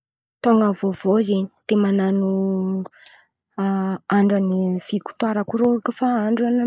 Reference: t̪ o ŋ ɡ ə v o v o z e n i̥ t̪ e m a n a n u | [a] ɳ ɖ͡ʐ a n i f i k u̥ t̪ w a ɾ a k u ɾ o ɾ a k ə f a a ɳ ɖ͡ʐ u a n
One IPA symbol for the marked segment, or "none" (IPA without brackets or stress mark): a